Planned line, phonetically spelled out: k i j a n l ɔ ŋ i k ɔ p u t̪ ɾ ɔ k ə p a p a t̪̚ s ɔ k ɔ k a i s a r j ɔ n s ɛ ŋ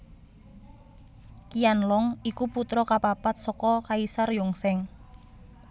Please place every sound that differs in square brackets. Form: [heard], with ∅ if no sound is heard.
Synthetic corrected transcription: k i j a n l ɔ ŋ i k [u] p u t̪ ɾ ɔ k [a] p a p a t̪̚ s ɔ k ɔ k a i s a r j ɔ [ŋ] s ɛ ŋ